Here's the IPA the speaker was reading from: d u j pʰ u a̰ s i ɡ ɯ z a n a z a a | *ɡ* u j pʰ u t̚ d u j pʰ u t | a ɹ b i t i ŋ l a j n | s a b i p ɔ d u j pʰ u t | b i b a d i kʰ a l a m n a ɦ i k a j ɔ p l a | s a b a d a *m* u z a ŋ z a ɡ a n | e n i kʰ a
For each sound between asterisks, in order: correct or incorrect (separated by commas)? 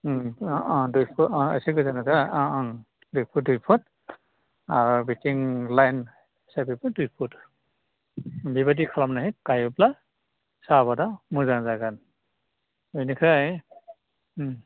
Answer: incorrect, correct